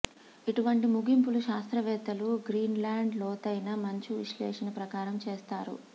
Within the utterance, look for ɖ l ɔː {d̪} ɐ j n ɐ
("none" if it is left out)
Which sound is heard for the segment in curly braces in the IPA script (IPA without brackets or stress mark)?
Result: t̪